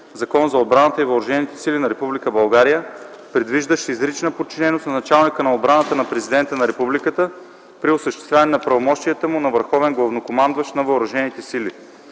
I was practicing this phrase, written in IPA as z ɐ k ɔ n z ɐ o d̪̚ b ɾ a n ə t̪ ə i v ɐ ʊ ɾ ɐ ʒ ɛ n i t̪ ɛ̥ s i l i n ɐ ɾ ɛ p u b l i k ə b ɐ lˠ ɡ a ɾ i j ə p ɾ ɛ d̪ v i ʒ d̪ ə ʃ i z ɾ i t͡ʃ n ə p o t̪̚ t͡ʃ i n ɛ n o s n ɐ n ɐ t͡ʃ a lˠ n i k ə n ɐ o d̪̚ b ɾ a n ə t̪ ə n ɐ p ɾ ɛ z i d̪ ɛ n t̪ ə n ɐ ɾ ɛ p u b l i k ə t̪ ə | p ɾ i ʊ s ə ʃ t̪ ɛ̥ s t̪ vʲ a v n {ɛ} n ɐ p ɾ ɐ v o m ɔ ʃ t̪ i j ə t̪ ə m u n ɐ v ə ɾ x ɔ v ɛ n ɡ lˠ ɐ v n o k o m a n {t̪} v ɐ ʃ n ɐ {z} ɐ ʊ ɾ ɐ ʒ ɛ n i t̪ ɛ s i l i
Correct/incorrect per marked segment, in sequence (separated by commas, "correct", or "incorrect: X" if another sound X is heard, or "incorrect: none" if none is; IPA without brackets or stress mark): correct, incorrect: d̪, incorrect: v